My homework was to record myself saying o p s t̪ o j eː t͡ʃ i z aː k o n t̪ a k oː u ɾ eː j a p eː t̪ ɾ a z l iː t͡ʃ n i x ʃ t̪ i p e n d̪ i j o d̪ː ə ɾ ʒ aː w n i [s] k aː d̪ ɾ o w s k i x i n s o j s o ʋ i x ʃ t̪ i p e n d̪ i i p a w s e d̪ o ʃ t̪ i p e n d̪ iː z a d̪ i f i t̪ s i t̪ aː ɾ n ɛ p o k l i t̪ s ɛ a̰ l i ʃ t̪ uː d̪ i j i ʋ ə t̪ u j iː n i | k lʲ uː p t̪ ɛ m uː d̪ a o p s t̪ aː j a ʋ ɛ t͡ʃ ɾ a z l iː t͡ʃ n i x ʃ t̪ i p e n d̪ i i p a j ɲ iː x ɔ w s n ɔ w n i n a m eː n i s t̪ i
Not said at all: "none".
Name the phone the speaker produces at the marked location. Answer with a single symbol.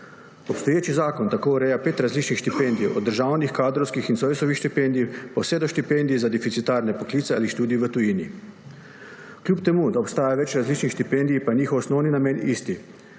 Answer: x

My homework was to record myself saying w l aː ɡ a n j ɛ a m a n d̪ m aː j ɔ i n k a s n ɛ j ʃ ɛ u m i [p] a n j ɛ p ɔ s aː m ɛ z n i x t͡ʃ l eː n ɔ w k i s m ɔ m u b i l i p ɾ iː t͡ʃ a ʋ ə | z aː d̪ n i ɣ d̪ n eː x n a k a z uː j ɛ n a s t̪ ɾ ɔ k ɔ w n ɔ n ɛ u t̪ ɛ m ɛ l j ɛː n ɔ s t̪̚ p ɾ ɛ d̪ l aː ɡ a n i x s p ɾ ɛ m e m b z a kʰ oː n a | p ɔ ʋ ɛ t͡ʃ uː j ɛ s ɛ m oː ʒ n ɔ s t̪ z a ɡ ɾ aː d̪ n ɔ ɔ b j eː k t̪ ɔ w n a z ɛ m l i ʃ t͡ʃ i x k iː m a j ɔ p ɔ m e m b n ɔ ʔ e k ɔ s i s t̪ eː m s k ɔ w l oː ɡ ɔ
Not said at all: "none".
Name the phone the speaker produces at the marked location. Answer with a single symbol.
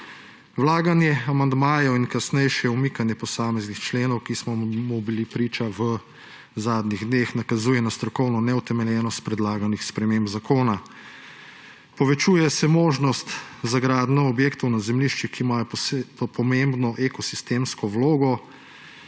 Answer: k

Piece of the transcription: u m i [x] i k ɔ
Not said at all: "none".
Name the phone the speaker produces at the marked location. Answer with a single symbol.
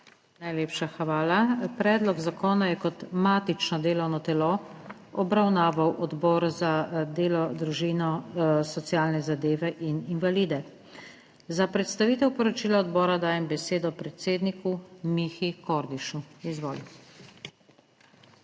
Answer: x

